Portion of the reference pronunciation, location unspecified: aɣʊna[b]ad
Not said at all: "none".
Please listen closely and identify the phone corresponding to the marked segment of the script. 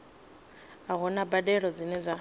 b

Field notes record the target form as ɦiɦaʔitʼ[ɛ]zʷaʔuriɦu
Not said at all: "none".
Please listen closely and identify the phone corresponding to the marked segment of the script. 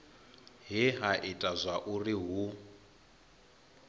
a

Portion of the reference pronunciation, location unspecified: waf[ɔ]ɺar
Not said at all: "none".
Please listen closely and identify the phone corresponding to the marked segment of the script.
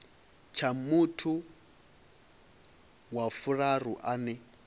u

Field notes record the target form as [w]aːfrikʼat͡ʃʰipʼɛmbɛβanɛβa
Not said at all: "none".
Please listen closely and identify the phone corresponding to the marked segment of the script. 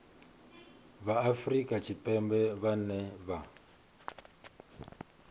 β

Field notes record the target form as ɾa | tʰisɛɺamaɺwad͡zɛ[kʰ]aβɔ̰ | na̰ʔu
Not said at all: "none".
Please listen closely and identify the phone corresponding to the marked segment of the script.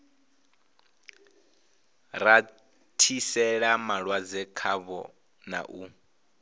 kʰ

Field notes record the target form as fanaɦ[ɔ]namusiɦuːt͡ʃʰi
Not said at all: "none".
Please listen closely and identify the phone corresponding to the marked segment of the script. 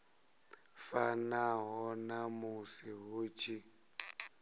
ɔ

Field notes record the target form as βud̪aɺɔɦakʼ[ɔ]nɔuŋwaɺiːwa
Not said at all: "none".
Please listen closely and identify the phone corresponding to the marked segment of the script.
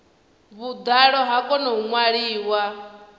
ɔ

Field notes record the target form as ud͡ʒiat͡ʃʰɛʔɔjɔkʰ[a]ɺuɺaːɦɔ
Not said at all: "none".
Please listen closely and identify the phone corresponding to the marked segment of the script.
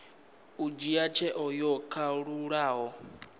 a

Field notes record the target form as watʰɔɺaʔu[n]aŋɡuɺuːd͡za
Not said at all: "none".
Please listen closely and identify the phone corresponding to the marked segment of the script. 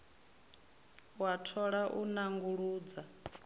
n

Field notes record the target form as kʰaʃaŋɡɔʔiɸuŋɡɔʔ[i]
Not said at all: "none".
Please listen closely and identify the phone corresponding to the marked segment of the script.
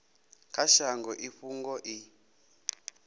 i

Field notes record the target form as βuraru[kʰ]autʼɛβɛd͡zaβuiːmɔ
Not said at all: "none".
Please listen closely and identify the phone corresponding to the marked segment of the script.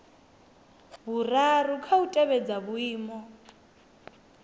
kʰ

